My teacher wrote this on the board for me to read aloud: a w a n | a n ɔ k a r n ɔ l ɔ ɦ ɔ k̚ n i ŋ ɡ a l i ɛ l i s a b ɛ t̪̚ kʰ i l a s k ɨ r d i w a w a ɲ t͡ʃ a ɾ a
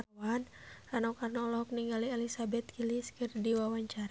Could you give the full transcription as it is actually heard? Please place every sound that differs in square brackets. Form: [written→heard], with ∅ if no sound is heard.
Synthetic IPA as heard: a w a n | a n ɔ k a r n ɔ l ɔ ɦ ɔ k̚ n i ŋ ɡ a l i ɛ l i s a b ɛ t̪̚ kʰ i l [a→i] s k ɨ r d i w a w a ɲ t͡ʃ a ɾ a